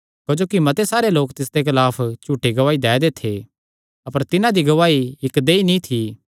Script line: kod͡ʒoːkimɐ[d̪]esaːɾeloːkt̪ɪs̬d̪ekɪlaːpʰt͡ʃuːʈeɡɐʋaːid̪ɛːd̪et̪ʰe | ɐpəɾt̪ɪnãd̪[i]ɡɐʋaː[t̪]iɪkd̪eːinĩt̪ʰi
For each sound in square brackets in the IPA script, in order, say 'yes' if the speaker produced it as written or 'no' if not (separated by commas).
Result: no, yes, no